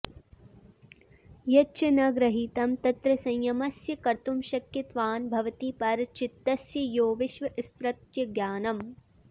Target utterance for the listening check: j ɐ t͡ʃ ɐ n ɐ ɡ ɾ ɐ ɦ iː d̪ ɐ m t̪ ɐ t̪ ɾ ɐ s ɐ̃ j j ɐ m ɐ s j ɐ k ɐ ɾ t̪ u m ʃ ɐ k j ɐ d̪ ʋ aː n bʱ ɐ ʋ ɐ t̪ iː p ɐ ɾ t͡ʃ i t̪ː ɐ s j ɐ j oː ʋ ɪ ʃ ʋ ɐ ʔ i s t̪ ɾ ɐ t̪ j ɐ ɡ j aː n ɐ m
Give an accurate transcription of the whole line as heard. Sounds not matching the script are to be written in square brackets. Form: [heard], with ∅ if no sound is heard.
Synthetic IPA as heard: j ɐ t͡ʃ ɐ n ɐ ɡ ɾ ɐ ɦ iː [t̪] ɐ m t̪ ɐ t̪ ɾ ɐ s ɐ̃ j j ɐ m ɐ s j ɐ k ɐ ɾ t̪ u m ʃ ɐ k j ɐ [t̪] ʋ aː n bʱ ɐ ʋ ɐ t̪ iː p ɐ ɾ t͡ʃ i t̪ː ɐ s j ɐ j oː ʋ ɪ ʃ ʋ ɐ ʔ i s t̪ ɾ ɐ t̪ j ɐ ɡ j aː n ɐ m